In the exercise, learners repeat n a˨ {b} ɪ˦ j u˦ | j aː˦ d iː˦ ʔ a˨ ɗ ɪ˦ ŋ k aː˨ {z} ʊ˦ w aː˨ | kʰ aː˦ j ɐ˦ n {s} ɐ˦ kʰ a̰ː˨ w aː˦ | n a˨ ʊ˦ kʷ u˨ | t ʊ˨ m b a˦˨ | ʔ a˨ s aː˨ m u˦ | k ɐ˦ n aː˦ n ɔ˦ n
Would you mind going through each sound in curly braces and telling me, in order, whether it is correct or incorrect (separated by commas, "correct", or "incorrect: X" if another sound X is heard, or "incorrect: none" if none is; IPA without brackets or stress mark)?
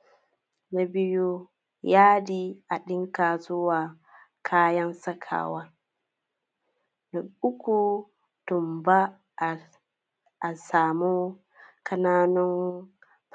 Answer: correct, correct, correct